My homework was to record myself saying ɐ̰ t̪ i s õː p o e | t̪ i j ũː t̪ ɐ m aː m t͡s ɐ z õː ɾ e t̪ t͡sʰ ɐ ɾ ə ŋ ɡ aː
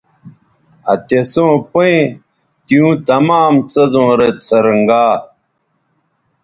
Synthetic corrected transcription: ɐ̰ t̪ e s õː p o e | t̪ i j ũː t̪ ɐ m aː m t͡s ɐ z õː ɾ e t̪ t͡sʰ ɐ ɾ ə ŋ ɡ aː